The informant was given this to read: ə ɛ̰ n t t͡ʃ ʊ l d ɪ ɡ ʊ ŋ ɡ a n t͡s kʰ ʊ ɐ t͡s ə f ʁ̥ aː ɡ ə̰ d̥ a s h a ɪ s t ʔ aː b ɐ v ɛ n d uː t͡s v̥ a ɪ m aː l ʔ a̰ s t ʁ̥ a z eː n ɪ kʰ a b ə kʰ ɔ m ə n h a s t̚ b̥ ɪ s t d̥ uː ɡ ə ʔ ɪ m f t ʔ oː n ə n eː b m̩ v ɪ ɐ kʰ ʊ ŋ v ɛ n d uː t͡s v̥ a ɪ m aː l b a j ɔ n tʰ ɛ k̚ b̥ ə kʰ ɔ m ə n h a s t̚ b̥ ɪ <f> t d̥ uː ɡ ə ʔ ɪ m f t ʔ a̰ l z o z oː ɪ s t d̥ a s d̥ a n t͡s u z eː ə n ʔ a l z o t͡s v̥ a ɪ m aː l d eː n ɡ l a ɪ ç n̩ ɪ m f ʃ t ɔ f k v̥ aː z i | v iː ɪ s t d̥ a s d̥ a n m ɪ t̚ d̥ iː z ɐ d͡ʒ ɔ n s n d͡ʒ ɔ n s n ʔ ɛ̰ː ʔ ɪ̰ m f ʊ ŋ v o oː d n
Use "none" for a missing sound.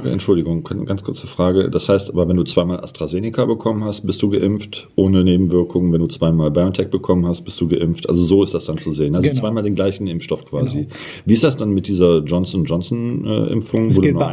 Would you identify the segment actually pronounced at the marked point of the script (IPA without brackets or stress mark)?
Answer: s